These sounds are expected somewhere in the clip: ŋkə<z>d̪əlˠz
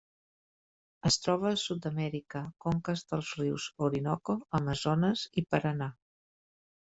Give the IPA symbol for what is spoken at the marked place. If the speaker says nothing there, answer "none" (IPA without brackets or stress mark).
z